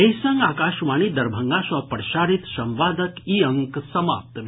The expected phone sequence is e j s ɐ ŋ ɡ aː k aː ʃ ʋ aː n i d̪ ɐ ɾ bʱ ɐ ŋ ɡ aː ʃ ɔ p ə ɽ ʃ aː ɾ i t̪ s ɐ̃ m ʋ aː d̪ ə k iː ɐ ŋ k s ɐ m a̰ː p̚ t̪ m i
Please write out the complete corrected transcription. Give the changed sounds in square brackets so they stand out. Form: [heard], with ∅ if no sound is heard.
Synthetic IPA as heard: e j s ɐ ŋ ɡ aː k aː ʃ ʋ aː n i d̪ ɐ ɾ bʱ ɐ ŋ ɡ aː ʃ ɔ p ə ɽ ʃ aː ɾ i t̪ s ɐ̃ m ʋ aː d̪ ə k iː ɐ ŋ k s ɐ m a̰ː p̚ t̪ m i